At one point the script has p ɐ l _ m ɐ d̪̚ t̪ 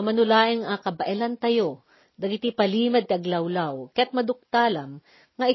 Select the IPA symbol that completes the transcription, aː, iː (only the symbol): iː